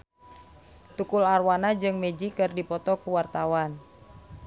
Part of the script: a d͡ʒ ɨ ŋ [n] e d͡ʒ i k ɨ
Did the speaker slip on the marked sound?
yes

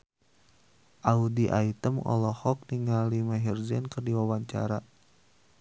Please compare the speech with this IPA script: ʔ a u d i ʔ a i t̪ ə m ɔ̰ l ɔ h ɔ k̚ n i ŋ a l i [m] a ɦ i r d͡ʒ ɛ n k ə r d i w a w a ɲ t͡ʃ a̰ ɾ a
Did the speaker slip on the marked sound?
no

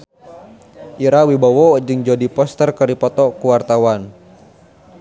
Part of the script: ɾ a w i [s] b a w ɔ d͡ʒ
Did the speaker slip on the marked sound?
yes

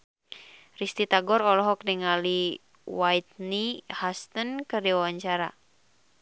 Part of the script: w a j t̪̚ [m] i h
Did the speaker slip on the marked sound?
yes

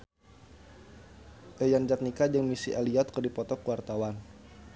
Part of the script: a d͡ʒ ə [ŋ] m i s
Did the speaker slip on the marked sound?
no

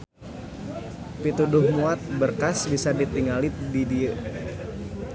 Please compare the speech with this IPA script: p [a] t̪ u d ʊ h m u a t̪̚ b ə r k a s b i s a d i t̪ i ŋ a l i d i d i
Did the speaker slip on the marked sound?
yes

